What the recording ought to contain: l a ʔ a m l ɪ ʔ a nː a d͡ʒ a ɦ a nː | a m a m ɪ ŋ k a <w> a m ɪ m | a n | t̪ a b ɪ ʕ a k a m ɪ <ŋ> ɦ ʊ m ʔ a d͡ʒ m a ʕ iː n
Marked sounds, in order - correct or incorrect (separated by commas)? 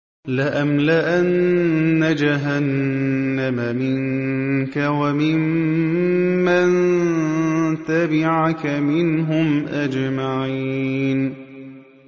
correct, incorrect